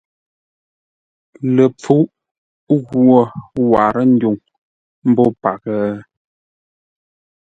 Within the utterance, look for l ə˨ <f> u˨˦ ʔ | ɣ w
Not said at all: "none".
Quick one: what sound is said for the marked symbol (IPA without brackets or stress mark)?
p͡f